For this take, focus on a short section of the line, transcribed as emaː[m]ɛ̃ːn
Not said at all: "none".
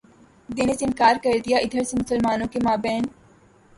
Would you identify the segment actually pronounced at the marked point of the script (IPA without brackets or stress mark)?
b